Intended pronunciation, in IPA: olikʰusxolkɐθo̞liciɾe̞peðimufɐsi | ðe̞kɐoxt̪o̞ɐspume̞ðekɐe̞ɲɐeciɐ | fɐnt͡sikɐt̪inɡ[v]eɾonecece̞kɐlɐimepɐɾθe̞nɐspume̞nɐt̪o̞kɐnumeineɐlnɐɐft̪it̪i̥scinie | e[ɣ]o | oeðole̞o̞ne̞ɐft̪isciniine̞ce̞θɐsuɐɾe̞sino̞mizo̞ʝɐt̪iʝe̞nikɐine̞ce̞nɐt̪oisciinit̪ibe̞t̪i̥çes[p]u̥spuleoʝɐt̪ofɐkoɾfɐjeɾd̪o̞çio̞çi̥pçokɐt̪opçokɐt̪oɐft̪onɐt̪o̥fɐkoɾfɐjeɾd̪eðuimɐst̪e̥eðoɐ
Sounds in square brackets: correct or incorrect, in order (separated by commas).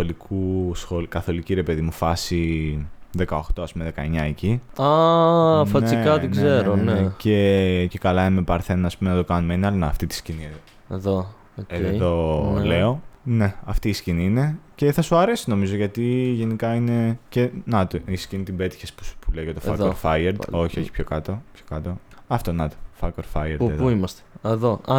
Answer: incorrect, incorrect, correct